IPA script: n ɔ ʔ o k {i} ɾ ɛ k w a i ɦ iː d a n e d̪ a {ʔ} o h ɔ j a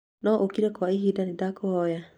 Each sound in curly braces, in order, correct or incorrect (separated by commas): correct, incorrect